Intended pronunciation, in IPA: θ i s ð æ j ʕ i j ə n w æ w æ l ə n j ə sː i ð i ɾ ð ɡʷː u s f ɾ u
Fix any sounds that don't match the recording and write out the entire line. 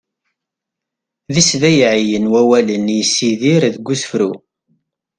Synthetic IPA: ð i s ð æ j ʕ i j ə n w æ w æ l ə n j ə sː i ð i ɾ ð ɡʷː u s f ɾ u